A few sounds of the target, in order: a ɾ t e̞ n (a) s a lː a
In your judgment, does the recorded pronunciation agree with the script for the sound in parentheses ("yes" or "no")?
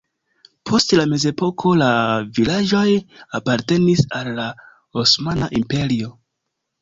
no